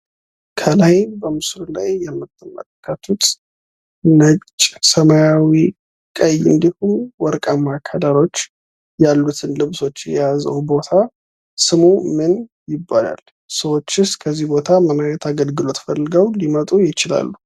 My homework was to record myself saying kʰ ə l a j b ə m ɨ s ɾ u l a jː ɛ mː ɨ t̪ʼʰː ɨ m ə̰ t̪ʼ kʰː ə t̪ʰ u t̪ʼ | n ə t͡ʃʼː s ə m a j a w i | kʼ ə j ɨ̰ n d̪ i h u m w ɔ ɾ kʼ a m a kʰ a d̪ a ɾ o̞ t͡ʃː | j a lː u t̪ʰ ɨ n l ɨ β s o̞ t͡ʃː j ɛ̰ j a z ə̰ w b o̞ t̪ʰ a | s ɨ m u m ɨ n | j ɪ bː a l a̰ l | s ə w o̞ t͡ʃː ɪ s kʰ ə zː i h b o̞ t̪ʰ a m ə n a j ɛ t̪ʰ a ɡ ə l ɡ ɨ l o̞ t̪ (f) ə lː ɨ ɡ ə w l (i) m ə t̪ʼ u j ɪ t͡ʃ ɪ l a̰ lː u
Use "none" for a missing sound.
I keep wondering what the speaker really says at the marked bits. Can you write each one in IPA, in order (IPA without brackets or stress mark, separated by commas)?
f, i